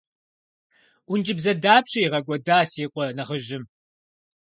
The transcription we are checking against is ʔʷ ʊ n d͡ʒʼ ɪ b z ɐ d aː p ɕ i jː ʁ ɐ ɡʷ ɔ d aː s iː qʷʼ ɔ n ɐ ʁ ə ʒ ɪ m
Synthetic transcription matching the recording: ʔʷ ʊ n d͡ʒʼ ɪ b z ɐ d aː p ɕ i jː ʁ ɐ ɡʷ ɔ d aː s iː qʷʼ ɔ n ɐ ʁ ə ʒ ɪ m